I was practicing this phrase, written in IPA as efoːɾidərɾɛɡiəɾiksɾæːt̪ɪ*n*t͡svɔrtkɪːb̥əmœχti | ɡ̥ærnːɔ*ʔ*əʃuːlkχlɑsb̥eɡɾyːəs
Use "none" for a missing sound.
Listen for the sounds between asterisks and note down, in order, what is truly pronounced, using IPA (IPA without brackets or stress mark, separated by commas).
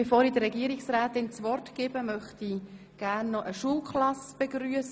n, ʔ